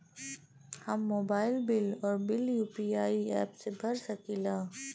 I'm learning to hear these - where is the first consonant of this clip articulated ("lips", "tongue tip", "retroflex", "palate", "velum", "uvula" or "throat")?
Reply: throat